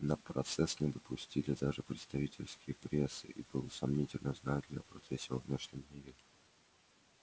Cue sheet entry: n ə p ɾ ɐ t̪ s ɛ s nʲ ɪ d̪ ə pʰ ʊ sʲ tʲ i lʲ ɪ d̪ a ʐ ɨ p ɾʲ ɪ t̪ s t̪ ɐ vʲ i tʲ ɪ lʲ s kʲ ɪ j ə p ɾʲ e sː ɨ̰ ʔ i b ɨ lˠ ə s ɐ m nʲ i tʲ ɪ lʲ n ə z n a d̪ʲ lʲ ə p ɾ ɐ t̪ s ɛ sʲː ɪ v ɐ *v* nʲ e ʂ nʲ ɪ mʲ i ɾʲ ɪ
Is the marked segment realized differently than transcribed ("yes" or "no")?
no